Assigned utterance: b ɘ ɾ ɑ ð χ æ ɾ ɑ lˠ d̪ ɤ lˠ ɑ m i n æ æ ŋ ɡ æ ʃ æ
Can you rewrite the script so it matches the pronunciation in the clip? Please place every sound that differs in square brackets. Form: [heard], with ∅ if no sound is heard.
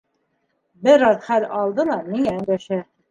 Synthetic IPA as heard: b ɘ ɾ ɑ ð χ æ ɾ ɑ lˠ d̪ ɤ lˠ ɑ m i [ŋ] æ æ ŋ ɡ æ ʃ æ